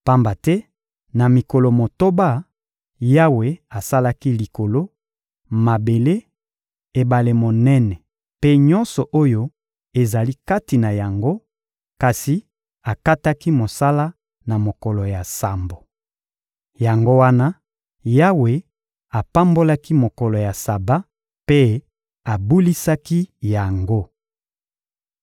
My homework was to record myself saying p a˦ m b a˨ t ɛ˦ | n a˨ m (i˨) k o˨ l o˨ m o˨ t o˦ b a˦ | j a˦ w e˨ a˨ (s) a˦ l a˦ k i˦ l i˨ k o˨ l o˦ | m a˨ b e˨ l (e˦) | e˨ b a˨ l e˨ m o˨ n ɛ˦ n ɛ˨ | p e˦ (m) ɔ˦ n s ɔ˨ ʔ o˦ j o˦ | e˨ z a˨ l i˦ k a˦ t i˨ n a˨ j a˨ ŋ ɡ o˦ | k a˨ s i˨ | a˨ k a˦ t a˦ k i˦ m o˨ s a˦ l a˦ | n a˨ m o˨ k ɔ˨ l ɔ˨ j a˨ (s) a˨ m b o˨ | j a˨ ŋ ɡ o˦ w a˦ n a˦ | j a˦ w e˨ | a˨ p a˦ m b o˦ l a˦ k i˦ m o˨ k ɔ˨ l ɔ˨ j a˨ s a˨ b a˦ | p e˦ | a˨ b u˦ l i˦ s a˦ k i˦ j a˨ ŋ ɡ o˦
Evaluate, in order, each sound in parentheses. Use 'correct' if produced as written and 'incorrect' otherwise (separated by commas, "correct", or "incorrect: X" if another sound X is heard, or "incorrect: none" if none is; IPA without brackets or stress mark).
correct, correct, correct, incorrect: ɲ, correct